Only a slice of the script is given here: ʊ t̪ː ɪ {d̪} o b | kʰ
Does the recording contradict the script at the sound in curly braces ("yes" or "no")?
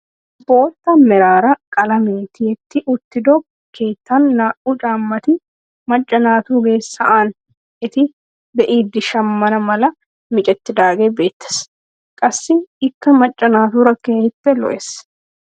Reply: no